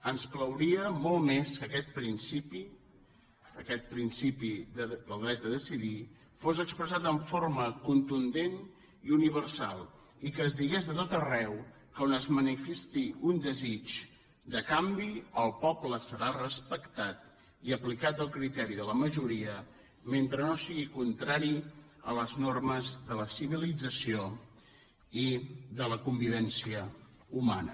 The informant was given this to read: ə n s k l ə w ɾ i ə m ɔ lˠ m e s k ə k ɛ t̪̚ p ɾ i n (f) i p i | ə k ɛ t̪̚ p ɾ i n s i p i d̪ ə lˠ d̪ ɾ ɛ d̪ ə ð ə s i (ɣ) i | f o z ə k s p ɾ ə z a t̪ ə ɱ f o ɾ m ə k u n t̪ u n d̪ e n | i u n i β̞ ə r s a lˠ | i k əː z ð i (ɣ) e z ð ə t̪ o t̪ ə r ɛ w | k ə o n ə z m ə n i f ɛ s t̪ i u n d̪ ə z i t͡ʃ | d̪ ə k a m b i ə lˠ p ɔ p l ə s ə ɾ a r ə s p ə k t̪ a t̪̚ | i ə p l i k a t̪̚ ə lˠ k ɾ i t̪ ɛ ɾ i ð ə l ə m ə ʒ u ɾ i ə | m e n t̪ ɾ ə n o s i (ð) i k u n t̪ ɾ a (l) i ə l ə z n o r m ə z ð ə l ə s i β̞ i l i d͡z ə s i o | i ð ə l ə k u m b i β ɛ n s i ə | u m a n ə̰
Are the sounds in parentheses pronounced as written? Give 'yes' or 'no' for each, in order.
no, no, yes, no, no

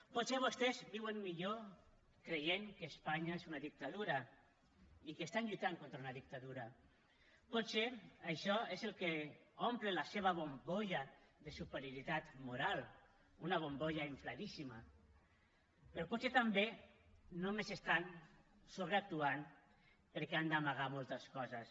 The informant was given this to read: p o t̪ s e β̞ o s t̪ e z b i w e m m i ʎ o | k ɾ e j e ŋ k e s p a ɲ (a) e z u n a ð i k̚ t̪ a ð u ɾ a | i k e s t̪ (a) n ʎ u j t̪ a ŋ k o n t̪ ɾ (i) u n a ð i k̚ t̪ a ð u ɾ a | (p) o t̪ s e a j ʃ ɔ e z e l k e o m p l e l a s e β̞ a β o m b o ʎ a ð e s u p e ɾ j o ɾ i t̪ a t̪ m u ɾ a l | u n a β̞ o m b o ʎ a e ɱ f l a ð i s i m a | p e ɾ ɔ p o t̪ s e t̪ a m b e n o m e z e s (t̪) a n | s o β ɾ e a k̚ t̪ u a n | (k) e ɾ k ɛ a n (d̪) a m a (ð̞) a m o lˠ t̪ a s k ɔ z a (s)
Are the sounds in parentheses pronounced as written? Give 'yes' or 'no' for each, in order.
yes, yes, no, yes, yes, no, yes, no, yes

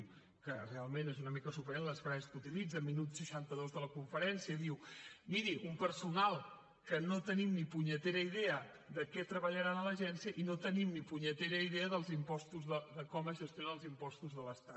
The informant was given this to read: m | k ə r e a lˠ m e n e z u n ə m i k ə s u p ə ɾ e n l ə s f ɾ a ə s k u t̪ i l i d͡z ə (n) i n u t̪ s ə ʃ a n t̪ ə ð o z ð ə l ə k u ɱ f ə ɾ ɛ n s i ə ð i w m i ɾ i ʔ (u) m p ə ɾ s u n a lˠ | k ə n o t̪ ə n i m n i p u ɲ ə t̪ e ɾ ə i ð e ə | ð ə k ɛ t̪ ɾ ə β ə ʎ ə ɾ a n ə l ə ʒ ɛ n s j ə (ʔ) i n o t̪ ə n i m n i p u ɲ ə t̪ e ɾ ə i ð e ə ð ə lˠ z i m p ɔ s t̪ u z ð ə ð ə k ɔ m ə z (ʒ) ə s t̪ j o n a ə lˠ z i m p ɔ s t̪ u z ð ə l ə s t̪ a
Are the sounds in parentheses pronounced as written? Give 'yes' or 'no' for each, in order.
no, yes, yes, yes

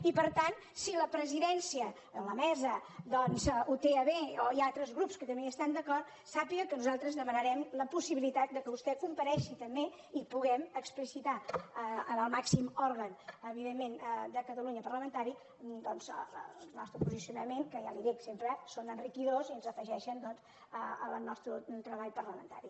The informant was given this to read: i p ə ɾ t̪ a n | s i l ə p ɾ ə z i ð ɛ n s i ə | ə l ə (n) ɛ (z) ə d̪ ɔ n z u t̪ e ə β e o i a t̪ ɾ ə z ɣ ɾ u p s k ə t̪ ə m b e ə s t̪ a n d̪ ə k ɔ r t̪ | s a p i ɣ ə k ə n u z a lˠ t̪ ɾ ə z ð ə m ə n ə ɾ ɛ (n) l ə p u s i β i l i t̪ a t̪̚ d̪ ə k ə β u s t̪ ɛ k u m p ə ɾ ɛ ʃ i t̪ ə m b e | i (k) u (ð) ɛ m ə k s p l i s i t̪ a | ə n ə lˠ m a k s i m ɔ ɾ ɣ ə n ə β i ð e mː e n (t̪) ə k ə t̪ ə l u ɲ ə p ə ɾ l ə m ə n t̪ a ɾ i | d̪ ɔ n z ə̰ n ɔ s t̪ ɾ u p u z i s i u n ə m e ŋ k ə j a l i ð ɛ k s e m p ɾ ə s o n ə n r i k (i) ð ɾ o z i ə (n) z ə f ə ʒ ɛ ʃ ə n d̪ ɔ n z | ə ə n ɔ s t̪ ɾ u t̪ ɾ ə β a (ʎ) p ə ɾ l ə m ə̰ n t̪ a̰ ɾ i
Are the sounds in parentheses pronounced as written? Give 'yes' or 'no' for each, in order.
no, yes, no, no, no, no, yes, yes, yes

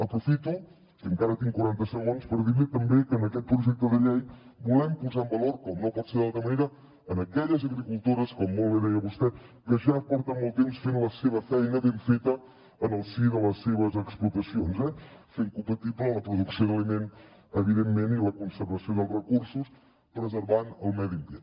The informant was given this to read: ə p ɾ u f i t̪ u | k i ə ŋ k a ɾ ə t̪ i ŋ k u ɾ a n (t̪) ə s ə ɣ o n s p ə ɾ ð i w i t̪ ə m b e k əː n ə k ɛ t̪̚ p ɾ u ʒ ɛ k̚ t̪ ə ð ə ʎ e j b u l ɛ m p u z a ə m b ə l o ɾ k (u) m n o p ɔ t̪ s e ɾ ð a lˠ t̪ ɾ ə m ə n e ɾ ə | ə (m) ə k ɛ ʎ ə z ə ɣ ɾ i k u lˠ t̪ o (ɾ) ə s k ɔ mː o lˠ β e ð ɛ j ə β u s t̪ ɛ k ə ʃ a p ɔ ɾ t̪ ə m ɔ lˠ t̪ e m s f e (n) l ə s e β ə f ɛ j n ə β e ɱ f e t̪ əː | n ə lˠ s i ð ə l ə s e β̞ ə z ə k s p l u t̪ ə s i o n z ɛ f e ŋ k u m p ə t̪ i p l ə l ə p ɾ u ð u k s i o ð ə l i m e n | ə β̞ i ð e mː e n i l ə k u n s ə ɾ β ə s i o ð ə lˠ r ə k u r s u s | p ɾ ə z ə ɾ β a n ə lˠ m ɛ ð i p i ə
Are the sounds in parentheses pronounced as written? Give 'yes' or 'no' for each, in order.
yes, no, no, yes, yes

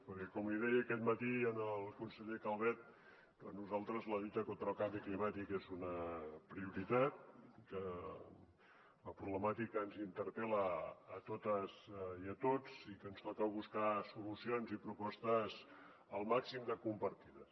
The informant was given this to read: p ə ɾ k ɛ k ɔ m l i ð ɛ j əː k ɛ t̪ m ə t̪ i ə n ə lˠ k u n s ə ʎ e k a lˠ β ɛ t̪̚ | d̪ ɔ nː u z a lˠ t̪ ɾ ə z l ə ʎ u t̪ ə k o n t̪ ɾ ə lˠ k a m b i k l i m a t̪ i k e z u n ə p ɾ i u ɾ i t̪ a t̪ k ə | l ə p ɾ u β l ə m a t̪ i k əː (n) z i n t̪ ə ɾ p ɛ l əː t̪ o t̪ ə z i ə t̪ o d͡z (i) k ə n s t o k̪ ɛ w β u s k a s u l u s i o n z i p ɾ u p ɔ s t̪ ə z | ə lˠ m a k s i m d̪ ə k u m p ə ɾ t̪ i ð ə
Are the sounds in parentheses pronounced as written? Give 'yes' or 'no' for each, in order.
yes, yes

